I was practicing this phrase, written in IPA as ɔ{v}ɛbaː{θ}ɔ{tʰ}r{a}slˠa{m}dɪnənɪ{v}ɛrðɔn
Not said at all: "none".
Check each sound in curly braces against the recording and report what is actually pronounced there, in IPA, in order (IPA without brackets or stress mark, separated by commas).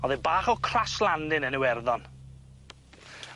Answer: ð, χ, kʰ, a, n, w